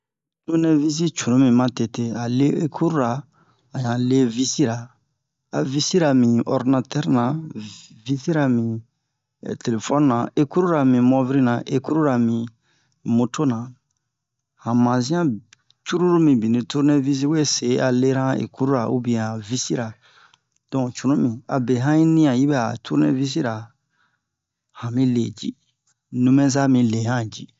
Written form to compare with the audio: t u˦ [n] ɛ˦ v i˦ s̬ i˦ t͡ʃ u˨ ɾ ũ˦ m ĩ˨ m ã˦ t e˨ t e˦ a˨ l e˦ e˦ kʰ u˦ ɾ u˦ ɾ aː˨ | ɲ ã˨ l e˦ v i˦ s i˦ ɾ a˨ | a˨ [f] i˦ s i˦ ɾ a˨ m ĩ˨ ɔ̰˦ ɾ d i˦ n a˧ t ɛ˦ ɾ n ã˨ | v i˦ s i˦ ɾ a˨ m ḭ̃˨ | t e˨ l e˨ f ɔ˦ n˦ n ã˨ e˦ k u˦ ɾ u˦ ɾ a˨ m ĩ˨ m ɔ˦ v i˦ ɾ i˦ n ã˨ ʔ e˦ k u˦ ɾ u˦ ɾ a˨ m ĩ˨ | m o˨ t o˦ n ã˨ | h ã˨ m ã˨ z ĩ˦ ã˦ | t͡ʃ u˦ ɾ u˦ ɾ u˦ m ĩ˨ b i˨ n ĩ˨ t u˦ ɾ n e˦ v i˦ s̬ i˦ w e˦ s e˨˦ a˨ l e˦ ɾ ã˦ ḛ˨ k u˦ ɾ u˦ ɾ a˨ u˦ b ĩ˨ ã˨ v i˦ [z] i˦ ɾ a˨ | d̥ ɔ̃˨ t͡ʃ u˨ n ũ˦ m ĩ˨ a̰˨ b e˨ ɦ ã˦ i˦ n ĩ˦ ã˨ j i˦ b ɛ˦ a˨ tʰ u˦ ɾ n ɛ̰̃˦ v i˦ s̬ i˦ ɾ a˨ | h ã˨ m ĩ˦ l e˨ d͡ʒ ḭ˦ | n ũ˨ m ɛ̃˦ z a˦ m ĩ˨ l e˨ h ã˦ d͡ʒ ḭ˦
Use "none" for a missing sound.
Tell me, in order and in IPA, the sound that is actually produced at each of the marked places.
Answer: n, v, s

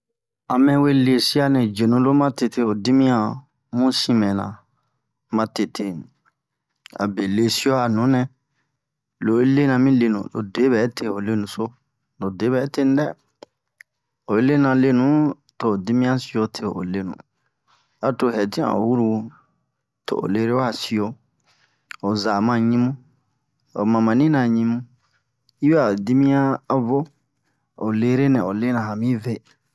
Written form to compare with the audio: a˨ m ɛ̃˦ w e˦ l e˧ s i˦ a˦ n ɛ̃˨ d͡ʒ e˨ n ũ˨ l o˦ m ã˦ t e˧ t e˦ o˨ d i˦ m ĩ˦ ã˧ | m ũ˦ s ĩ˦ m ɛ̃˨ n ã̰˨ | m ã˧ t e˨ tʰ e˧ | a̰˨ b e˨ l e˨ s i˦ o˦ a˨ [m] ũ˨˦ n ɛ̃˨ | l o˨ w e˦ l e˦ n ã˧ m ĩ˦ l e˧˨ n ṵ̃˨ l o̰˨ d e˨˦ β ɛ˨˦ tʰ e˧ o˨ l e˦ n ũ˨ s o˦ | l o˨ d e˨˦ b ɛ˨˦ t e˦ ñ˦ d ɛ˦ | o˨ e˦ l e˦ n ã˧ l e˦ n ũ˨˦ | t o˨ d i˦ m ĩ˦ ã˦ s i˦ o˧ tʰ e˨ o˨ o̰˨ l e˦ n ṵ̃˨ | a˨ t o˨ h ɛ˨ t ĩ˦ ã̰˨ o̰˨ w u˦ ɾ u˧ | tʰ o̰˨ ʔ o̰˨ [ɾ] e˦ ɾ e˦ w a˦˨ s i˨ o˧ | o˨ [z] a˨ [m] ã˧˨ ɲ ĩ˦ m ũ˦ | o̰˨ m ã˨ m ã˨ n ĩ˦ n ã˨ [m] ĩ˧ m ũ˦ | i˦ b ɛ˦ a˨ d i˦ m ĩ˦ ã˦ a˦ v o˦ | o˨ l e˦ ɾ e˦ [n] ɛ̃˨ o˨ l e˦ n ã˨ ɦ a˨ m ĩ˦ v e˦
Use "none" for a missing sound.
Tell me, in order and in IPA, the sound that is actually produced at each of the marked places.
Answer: n, l, z, m, ɲ, n

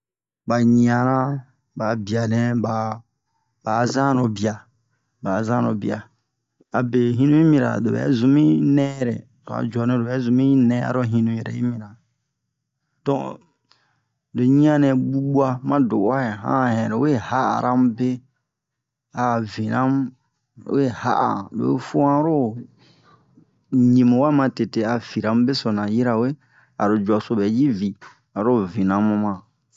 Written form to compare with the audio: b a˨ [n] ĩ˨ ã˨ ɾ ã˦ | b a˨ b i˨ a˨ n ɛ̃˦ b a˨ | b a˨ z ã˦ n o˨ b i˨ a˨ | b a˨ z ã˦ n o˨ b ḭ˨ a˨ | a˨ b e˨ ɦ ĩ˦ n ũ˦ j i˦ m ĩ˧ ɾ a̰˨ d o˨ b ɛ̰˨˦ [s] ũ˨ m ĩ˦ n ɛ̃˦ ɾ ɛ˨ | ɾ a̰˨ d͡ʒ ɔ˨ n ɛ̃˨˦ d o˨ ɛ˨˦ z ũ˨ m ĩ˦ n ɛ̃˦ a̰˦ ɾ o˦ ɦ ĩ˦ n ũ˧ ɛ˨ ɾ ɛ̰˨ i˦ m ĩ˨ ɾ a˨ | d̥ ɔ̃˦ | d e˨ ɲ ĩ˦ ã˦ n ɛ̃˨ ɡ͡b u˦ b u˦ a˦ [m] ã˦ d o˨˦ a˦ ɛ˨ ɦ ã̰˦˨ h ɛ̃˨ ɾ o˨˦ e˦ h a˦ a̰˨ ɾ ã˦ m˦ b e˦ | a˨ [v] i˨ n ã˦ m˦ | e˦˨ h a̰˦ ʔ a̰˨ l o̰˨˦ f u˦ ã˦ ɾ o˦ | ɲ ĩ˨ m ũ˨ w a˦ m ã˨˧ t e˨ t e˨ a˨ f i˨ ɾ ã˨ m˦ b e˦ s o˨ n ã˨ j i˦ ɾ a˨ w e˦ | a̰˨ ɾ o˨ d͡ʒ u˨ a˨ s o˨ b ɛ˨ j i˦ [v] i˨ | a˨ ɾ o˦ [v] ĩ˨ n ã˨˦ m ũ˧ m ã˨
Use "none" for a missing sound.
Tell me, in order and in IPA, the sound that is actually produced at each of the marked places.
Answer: ɲ, z, m, v, v, v

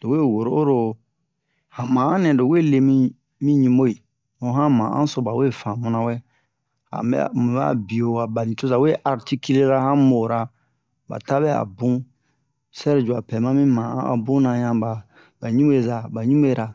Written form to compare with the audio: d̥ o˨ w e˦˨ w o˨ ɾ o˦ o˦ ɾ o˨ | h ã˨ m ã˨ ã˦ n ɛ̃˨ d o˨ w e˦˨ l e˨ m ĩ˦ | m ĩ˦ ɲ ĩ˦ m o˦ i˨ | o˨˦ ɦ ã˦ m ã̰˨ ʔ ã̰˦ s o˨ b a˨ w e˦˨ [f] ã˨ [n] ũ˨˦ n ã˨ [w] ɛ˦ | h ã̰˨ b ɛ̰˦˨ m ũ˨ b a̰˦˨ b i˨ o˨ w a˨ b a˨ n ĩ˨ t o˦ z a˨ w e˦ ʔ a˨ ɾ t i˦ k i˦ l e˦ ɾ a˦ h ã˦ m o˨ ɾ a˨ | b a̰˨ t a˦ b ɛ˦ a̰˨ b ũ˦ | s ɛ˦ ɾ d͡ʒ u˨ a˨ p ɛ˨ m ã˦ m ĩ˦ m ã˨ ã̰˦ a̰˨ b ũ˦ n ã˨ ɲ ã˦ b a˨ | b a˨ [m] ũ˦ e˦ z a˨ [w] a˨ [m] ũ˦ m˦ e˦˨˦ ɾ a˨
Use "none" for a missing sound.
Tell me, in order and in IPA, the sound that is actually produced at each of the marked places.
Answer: f, m, w, ɲ, b, ɲ

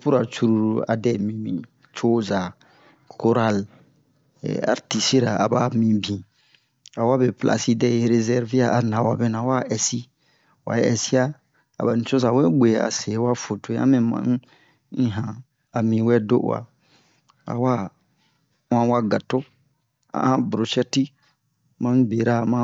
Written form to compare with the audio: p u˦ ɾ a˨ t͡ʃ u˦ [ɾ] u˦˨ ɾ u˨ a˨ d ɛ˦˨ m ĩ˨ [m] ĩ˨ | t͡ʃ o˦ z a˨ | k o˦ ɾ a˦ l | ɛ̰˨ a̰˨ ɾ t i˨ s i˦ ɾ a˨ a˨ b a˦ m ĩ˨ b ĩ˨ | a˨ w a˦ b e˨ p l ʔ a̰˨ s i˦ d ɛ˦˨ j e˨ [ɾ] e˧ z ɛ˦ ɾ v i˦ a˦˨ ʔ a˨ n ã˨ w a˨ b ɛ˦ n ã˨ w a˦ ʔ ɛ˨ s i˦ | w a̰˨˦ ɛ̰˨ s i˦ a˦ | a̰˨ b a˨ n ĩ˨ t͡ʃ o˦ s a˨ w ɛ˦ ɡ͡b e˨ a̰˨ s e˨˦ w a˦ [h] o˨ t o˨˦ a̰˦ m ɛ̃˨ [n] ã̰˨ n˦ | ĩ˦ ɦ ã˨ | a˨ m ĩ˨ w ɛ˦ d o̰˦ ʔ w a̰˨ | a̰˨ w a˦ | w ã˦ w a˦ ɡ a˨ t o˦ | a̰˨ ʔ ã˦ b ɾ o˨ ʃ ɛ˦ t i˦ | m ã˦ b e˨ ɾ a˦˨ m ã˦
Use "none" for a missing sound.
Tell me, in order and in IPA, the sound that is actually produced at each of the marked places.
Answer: ɾ, m, ɾ, f, m

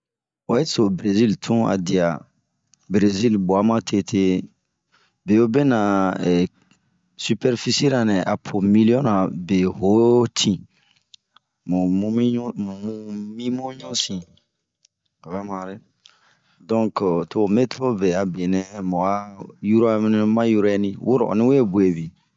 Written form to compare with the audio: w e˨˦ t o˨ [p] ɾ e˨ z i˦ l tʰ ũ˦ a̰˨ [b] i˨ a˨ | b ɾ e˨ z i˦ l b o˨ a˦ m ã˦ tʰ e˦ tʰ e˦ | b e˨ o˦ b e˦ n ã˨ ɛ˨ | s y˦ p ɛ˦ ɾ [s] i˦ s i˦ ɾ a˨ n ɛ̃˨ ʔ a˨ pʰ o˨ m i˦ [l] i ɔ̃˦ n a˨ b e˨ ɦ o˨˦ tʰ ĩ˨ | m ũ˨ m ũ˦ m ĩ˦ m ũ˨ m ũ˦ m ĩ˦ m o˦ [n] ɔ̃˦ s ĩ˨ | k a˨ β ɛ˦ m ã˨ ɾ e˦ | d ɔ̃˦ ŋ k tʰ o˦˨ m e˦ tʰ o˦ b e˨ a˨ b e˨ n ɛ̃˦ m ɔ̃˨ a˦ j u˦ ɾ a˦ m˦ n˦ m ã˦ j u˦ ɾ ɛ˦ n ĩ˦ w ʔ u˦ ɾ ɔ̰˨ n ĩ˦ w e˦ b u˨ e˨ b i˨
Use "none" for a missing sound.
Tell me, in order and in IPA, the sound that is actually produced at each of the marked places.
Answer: b, d, f, l, ɲ

